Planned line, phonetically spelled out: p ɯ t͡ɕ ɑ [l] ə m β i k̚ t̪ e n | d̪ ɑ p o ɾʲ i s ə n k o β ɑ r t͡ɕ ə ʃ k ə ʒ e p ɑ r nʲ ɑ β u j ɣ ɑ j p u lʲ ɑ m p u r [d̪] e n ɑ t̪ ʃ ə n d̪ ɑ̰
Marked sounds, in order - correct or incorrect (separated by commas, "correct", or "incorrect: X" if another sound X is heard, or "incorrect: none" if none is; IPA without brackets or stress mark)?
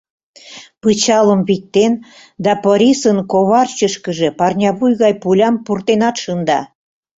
correct, incorrect: t̪